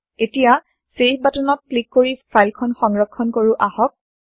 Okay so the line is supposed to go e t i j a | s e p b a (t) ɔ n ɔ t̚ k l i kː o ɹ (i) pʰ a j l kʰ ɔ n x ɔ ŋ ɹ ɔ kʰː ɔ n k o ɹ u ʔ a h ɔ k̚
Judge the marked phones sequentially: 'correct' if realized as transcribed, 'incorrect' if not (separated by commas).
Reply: correct, correct